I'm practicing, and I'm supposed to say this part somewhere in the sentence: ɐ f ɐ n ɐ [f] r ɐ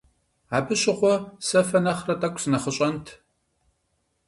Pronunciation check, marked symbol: incorrect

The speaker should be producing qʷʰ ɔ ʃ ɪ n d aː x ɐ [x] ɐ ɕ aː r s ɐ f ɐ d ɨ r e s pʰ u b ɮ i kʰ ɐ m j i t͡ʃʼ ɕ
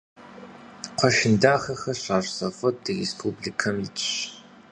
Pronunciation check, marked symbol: correct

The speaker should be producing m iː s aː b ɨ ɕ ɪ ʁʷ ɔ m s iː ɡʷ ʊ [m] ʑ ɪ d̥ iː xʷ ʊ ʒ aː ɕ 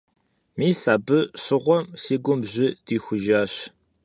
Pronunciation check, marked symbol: correct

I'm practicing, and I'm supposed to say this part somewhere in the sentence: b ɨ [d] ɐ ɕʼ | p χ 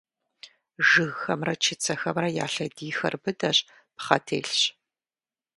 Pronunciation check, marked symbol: correct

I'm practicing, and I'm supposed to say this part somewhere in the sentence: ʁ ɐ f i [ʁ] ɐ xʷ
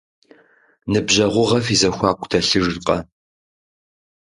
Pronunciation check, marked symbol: incorrect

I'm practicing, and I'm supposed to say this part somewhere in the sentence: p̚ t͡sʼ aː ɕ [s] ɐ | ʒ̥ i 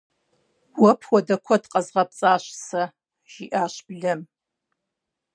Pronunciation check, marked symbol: correct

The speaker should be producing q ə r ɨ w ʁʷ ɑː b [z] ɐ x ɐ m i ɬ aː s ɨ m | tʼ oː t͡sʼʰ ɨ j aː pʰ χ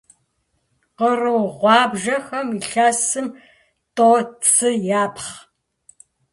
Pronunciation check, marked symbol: incorrect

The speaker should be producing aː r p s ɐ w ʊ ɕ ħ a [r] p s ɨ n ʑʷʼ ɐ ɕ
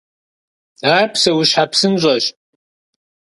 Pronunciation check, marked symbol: incorrect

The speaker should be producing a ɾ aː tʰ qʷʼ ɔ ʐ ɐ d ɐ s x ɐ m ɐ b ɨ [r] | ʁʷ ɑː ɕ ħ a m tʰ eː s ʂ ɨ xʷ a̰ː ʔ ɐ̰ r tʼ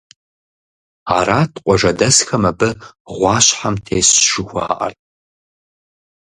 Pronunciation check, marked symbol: incorrect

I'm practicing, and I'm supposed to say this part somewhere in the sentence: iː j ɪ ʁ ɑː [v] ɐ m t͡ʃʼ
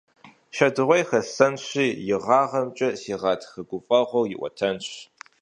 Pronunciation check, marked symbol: incorrect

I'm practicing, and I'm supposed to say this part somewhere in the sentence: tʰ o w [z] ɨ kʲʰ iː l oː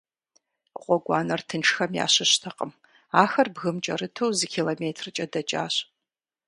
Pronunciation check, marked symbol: correct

